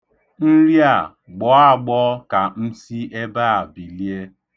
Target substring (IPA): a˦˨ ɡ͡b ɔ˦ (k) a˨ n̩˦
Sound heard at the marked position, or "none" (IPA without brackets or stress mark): k